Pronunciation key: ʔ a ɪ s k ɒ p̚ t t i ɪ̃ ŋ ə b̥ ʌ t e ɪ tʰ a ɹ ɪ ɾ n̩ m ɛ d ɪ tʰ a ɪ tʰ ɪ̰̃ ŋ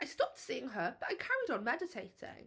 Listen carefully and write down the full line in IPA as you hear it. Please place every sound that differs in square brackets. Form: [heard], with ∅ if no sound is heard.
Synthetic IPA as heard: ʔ a ɪ s [t] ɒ p̚ t [s] i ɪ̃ ŋ ə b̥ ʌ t [a] ɪ [kʰ] a ɹ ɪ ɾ n̩ m ɛ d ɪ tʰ [e] ɪ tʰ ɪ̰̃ ŋ